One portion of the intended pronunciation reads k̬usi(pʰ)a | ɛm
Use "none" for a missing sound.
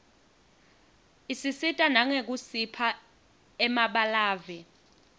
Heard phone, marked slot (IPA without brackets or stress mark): pʰ